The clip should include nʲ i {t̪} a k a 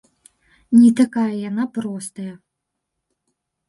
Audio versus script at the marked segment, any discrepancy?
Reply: no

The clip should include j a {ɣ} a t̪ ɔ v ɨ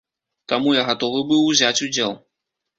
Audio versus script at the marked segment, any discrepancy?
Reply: no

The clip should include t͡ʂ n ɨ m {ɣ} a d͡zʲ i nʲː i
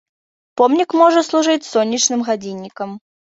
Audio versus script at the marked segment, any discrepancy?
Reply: no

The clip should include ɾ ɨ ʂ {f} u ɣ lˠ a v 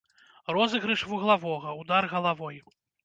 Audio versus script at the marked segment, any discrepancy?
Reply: yes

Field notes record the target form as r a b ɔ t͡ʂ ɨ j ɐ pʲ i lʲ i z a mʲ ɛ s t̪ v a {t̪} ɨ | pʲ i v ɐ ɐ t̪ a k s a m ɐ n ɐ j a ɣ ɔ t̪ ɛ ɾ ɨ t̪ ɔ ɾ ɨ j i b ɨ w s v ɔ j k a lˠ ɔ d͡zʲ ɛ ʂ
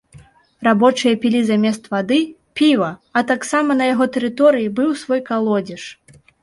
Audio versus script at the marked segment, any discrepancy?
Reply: yes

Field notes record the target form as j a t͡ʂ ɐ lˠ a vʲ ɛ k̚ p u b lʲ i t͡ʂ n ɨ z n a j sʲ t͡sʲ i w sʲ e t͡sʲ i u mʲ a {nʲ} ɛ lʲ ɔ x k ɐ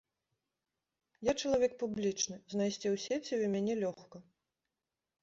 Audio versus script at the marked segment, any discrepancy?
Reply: no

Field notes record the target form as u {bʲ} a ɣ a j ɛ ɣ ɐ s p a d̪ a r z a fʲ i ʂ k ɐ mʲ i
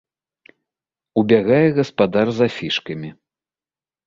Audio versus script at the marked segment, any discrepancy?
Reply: no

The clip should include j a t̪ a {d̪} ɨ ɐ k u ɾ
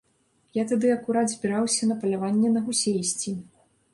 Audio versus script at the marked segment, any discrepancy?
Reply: no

